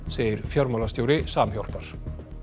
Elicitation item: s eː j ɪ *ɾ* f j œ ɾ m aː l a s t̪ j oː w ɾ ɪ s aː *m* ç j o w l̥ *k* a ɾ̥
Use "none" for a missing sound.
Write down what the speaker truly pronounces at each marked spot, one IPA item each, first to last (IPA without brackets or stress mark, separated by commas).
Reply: ɾ, m, p